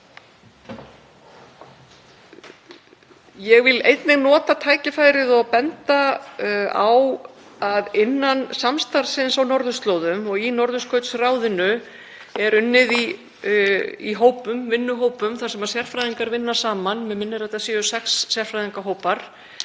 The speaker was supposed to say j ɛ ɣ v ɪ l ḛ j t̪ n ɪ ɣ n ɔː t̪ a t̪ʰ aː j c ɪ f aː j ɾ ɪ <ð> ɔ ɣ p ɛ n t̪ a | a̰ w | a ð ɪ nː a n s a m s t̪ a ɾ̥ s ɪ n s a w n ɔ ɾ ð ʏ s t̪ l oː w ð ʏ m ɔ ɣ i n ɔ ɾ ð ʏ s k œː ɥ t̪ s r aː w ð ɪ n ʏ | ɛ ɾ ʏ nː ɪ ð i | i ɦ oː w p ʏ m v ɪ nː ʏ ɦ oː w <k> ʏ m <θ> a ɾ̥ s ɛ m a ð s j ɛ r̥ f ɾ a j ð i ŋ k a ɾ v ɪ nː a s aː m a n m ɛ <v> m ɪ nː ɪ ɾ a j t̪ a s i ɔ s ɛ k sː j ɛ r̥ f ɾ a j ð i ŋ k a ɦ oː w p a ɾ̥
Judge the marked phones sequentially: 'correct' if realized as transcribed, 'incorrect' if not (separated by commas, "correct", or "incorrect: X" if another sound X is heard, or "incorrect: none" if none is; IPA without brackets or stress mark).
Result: correct, incorrect: p, correct, incorrect: ð